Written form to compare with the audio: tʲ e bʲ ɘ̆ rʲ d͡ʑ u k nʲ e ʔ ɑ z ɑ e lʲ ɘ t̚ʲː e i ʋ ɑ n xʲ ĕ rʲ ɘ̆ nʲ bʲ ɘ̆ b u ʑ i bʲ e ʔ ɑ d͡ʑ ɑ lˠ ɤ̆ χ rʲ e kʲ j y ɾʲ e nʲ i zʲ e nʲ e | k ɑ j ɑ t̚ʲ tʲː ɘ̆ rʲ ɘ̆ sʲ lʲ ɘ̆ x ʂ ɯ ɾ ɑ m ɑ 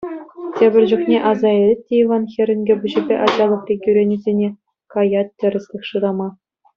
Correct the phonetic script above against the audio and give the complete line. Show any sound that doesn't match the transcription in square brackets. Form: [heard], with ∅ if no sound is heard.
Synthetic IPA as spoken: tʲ e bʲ ɘ̆ rʲ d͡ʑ u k nʲ e ʔ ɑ z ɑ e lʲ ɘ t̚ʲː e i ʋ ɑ n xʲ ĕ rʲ ɘ̆ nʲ [ɡʲ] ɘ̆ b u ʑ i bʲ e ʔ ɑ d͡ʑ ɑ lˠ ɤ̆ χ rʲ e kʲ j y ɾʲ e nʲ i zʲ e nʲ e | k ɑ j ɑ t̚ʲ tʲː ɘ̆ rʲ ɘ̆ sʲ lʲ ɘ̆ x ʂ ɯ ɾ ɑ m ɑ